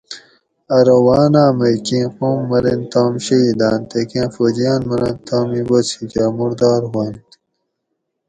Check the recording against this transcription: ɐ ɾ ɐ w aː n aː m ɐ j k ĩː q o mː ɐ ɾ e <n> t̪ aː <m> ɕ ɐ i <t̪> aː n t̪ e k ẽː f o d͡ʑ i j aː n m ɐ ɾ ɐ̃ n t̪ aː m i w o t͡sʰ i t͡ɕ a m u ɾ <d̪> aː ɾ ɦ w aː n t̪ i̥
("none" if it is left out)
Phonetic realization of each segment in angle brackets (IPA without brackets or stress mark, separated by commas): n, m, d̪, d̪